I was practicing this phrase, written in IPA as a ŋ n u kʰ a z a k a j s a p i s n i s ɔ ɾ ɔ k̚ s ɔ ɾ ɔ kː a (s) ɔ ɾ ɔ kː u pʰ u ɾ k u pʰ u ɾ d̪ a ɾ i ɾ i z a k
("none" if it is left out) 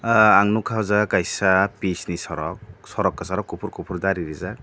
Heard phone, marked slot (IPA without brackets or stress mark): s